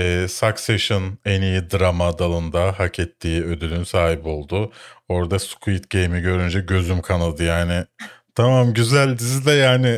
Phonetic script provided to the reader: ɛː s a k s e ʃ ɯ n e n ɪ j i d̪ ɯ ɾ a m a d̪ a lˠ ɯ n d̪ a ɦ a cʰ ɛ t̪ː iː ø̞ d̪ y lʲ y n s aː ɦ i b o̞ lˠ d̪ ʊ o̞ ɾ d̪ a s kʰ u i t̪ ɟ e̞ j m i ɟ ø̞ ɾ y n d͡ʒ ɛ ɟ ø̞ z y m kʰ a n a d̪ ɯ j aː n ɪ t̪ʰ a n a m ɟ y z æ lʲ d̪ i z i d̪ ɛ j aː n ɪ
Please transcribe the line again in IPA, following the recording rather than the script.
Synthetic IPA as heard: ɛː s a k s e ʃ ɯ n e n i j i d̪ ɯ ɾ a m a d̪ a lˠ ɯ n d̪ a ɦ a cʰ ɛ t̪ː iː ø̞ d̪ y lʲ y n s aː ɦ i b o̞ lˠ d̪ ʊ o̞ ɾ d̪ a s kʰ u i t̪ ɟ e̞ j m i ɟ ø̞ ɾ y n d͡ʒ ɛ ɟ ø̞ z y m kʰ a n a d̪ ɯ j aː n ɪ t̪ʰ a m a m ɟ y z æ lʲ d̪ i z i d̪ ɛ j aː n ɪ